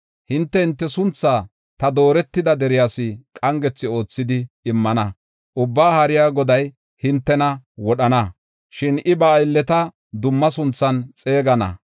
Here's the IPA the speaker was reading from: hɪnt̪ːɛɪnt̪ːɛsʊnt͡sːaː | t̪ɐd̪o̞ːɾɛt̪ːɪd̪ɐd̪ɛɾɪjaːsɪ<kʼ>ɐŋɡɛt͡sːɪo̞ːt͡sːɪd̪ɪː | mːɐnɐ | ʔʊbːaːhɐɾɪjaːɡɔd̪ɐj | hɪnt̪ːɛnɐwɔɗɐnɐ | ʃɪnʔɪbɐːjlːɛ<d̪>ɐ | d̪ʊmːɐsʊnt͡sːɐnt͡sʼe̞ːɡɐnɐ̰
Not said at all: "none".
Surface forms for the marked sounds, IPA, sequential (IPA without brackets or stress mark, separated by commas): kʼ, t̪